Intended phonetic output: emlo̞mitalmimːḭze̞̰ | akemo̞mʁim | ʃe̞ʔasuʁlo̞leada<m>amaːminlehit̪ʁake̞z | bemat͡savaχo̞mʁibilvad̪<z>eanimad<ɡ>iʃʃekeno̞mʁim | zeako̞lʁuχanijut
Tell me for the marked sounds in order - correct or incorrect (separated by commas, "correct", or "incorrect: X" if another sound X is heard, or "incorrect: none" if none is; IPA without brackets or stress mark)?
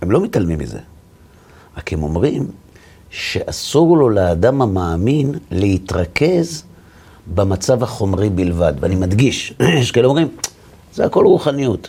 correct, incorrect: v, correct